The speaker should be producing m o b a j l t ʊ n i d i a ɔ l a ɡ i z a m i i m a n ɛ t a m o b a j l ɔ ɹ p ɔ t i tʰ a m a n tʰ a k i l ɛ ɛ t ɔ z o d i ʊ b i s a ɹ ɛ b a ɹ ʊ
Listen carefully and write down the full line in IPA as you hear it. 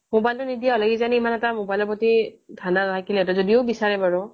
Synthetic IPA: m o b a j l t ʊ n i d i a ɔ l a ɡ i z a n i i m a n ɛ t a m o b a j l ɔ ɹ p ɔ t i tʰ a n a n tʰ a k i l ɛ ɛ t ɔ z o d i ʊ b i s a ɹ ɛ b a ɹ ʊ